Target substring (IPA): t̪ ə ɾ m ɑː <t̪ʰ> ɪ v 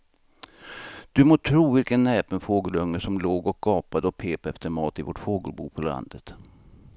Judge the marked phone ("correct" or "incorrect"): incorrect